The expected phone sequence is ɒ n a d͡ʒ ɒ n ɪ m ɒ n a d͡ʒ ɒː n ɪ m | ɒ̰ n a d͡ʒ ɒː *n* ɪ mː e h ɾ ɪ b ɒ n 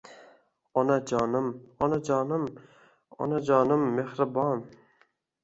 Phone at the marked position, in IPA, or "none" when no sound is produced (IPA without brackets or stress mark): n